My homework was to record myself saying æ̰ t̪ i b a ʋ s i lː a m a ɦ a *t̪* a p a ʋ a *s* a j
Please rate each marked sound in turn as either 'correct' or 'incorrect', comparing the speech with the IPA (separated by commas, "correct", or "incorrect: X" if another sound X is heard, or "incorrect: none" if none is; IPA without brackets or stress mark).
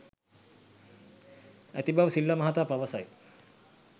correct, correct